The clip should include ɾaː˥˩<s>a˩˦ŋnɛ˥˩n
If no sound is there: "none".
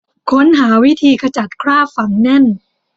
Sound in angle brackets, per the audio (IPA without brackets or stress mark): f